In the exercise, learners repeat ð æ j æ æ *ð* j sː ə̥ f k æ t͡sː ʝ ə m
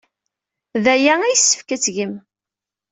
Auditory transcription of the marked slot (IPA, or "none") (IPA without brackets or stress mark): none